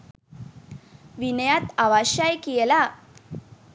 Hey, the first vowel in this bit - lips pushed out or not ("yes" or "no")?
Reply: no